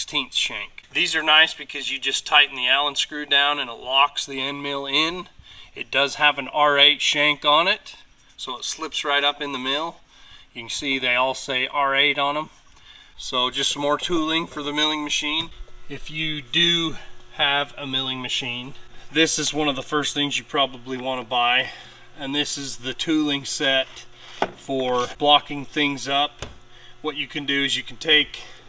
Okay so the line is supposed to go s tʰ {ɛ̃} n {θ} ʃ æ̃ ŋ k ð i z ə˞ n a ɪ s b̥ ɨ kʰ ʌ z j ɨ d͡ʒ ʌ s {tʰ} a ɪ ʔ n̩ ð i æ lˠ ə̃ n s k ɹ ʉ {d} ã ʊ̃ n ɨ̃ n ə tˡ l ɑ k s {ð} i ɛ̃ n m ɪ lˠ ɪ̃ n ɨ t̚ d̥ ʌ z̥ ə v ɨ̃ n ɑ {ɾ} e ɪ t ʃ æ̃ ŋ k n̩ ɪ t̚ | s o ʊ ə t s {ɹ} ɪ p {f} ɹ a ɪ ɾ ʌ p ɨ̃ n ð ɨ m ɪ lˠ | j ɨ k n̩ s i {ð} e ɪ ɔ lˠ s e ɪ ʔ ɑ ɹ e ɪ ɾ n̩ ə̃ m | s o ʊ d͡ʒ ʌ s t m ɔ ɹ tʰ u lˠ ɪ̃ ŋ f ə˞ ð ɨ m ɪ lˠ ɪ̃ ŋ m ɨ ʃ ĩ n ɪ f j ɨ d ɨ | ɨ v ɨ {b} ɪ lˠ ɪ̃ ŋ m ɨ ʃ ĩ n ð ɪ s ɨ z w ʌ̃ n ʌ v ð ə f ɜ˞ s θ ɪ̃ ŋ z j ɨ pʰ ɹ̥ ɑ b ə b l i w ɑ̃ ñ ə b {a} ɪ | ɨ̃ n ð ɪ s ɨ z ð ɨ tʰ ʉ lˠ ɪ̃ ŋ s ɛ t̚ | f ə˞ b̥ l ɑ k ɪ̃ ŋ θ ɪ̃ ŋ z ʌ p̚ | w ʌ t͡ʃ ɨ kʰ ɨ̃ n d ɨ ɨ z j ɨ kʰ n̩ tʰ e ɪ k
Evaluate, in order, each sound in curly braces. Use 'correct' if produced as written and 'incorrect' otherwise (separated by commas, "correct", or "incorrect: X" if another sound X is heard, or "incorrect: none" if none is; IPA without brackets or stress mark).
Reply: incorrect: ĩ, correct, correct, correct, correct, incorrect: ɹ, incorrect: l, incorrect: s, correct, incorrect: m, correct